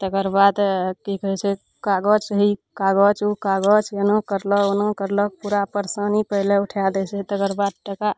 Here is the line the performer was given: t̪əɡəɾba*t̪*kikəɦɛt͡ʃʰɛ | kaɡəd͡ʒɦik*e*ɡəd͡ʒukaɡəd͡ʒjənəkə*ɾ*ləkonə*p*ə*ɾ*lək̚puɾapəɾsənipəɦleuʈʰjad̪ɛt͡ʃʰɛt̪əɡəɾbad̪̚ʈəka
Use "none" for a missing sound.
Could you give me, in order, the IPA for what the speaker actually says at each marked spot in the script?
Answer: d̪, a, ɾ, k, ɾ

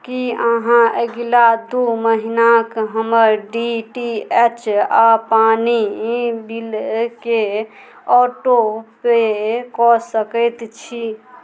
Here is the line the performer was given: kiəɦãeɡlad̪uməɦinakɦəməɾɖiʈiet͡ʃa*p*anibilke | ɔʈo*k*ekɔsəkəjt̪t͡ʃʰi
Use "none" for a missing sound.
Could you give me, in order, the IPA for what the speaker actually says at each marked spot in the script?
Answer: p, p

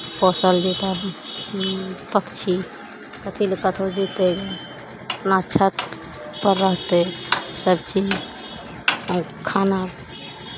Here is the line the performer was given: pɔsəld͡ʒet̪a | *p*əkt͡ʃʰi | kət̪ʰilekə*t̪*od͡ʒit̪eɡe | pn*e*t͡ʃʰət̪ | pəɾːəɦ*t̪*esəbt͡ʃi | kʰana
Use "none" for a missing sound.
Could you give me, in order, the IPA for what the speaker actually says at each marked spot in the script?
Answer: p, t̪ʰ, a, t̪

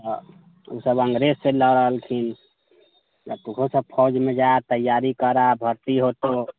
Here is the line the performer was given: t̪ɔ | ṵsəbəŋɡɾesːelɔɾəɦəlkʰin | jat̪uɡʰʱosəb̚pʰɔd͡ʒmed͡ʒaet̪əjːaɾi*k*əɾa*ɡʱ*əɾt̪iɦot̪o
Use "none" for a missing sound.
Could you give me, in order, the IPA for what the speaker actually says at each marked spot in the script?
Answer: k, bʱ

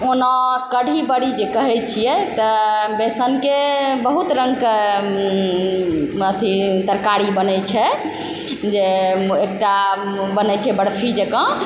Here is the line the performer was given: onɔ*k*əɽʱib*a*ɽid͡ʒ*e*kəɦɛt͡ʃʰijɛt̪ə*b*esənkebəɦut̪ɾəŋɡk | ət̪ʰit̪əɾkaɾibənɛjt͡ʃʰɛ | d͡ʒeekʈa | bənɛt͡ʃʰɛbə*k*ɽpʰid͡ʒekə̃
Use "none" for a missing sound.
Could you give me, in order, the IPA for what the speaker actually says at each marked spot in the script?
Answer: k, ə, e, b, none

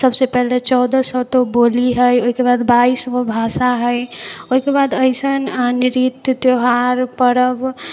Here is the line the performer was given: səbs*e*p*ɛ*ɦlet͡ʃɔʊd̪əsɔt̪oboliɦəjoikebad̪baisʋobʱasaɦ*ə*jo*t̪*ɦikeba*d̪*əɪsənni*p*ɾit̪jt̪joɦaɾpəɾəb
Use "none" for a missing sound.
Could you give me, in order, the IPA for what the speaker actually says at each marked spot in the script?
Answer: e, ɛ, ə, none, d̪, none

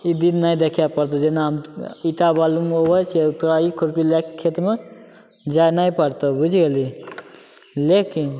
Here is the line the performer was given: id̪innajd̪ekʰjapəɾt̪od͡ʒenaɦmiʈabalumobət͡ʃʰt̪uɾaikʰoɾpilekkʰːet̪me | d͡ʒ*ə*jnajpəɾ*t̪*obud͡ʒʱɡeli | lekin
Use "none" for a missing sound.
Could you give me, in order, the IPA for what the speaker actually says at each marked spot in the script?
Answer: a, t̪

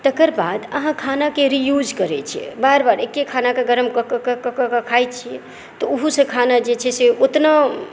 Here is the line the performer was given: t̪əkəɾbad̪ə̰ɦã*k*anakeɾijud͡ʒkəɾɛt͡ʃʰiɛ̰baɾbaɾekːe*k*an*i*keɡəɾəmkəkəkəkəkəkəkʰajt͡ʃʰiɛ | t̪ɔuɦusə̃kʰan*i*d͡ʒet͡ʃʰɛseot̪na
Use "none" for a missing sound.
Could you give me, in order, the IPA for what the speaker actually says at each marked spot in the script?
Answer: kʰ, kʰ, a, a

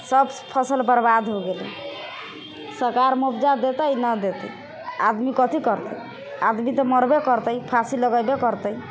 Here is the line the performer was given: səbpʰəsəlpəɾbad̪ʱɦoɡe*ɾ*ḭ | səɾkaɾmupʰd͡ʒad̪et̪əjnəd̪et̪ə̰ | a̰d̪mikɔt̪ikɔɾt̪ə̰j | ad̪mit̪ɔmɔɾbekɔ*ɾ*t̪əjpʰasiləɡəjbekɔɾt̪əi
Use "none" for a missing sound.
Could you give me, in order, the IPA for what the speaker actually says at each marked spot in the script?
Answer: l, ɾ

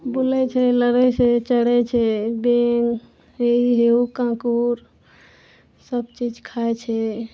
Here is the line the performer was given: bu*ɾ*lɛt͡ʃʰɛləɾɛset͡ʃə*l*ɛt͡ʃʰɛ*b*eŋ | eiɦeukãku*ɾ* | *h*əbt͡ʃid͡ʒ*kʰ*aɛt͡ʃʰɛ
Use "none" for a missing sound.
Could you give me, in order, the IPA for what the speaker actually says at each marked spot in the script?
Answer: none, ɽ, b, ɾ, s, kʰ

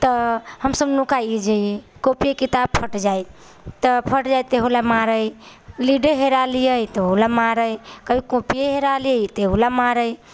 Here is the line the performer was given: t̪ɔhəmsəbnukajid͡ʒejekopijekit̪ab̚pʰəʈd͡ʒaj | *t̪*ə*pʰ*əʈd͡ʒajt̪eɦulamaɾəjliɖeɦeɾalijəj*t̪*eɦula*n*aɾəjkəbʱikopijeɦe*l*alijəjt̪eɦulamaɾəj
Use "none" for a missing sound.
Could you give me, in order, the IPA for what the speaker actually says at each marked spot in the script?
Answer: t̪, pʰ, t̪, m, ɾ

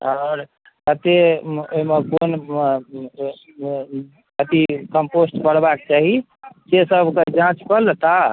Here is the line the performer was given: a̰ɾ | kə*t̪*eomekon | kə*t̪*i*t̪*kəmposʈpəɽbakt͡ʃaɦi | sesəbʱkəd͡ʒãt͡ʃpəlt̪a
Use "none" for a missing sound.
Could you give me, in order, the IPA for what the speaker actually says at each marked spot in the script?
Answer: t̪, t̪, none

